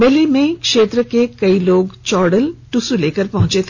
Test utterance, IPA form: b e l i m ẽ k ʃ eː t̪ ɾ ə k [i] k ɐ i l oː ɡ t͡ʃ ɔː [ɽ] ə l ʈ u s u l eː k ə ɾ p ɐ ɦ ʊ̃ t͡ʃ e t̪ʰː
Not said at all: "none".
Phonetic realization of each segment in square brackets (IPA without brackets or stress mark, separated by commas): e, ɽ